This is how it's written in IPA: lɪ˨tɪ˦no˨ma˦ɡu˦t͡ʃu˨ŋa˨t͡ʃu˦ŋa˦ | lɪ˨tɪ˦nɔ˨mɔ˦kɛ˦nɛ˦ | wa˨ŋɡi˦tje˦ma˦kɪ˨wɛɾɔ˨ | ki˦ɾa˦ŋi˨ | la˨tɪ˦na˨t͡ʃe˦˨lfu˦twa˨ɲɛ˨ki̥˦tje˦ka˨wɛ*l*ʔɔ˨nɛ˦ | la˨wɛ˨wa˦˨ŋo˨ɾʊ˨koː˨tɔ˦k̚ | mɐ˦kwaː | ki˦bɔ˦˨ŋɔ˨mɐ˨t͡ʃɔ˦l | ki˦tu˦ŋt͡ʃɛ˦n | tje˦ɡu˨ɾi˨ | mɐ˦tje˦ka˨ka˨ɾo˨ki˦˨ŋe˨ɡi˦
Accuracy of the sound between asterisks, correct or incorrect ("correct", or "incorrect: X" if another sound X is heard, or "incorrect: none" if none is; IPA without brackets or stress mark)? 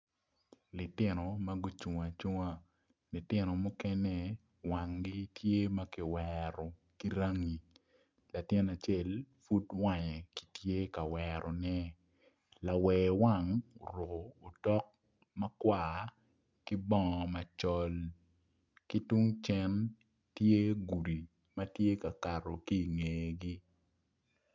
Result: incorrect: ɾ